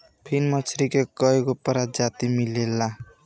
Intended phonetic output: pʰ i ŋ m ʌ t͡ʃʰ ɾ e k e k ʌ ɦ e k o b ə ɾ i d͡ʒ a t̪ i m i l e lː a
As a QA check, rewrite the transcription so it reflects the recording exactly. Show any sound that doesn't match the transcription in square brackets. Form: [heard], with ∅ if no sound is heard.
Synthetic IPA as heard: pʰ i [n] m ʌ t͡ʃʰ ɾ [i] k e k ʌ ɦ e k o [p] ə ɾ [a] d͡ʒ a t̪ i m i l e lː a